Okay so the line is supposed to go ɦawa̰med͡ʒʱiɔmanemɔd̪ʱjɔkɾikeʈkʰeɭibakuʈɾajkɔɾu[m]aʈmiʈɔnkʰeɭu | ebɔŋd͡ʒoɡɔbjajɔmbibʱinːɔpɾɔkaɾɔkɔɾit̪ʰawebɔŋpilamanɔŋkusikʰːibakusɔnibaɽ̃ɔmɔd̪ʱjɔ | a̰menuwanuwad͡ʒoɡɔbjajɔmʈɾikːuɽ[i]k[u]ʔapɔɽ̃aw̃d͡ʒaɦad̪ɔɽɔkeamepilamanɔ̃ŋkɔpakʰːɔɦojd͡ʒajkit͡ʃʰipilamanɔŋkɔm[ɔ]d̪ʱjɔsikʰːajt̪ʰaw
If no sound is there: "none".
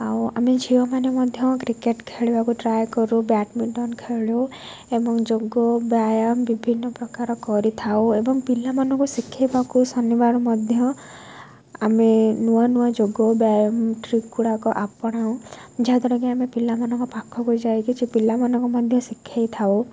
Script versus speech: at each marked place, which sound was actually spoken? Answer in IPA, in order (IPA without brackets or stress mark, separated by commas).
b, a, ɔ, ɔ